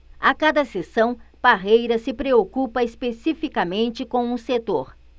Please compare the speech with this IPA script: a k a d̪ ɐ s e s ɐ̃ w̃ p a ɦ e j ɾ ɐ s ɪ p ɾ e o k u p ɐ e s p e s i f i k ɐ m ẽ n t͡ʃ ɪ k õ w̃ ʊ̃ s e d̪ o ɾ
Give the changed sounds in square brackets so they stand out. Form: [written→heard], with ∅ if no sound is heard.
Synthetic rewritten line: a k a d̪ ɐ s e s ɐ̃ w̃ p a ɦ e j ɾ ɐ s ɪ p ɾ e o k u p ɐ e s p e s i f i k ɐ m ẽ n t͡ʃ ɪ k õ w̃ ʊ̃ s e [d̪→t̪] o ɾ